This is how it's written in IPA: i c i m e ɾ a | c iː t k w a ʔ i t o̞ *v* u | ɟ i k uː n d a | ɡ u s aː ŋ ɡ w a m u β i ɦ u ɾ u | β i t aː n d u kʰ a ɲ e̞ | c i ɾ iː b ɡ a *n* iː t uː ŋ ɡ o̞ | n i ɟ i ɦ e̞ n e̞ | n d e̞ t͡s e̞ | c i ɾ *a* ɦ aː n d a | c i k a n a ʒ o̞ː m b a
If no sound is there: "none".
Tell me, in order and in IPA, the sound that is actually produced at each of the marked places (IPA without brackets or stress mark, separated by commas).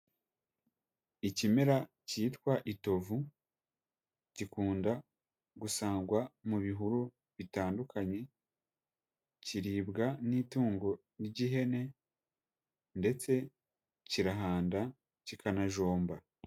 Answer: v, n, a